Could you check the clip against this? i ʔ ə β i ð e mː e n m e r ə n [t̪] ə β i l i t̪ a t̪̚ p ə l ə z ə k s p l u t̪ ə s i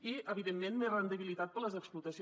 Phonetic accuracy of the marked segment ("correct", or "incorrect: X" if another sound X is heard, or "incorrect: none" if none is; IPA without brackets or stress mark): incorrect: d̪